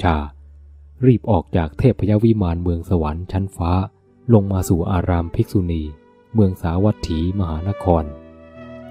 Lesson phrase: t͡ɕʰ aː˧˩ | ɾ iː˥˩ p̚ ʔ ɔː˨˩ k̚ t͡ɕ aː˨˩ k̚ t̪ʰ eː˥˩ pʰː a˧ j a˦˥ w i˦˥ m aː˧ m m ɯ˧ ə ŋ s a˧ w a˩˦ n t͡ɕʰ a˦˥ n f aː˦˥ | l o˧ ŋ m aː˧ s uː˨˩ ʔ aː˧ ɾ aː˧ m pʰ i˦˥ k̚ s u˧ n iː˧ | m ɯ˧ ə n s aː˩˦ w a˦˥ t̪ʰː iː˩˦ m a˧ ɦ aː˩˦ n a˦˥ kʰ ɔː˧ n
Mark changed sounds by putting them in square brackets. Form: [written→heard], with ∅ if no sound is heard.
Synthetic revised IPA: t͡ɕʰ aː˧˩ | ɾ iː˥˩ p̚ ʔ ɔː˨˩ k̚ t͡ɕ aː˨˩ k̚ t̪ʰ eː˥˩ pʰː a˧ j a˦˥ w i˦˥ m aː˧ [m→n] m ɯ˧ ə ŋ s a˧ w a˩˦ n t͡ɕʰ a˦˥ n f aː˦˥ | l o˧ ŋ m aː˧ s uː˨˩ ʔ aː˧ ɾ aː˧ m pʰ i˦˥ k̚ s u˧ n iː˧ | m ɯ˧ ə [n→ŋ] s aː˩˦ w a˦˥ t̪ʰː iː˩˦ m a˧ ɦ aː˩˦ n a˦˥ kʰ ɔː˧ n